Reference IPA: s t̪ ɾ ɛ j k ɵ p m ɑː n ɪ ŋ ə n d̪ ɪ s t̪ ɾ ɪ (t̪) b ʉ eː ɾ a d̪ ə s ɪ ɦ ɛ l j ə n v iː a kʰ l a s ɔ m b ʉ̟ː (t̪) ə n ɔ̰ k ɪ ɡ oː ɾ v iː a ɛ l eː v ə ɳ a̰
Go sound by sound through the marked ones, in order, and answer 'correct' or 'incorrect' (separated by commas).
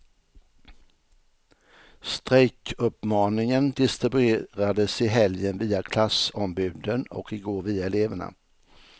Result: incorrect, incorrect